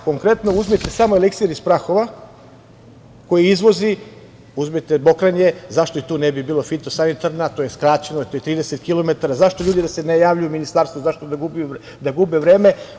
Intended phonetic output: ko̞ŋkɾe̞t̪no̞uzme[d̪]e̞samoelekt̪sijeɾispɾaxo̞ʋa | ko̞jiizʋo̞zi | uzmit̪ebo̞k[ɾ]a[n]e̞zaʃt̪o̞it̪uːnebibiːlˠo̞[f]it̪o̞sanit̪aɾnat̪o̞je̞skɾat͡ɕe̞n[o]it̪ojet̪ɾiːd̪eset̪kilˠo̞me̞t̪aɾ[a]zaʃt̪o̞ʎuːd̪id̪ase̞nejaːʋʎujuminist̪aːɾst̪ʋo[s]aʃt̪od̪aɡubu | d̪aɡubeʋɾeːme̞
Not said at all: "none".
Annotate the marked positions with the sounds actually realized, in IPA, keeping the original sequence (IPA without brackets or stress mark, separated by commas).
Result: t̪, ɾ, ɲ, f, o, a, z